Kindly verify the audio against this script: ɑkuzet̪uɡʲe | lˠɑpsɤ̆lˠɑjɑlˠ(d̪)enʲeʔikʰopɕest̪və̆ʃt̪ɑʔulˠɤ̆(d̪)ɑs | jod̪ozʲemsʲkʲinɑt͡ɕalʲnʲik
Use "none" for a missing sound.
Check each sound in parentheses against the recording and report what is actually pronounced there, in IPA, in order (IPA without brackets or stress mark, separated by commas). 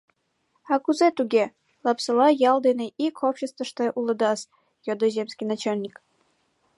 d̪, d̪